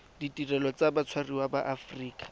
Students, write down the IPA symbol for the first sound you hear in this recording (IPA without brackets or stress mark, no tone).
d